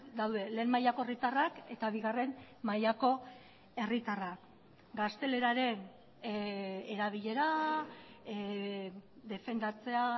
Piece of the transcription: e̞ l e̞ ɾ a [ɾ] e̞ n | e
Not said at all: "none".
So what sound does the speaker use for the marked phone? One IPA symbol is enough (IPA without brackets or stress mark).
ɾ